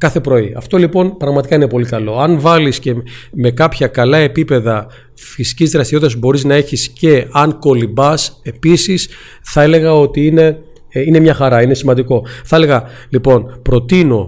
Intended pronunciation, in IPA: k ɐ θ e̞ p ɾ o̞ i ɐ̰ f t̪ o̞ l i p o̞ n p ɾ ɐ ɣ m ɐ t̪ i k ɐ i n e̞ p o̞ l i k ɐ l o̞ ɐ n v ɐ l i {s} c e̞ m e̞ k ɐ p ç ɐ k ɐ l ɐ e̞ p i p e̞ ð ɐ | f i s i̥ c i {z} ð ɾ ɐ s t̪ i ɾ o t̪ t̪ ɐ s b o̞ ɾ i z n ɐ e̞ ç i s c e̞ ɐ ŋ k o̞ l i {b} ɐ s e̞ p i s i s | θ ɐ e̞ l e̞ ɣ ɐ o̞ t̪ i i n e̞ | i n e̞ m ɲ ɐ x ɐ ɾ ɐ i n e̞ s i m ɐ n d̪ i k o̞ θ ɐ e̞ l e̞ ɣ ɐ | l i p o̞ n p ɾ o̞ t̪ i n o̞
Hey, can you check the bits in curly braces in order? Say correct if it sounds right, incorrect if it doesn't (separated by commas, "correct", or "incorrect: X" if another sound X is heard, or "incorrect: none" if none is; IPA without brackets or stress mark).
correct, correct, correct